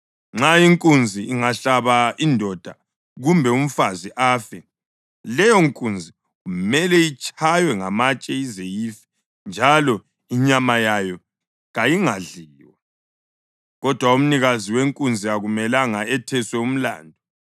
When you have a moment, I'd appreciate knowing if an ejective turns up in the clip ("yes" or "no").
yes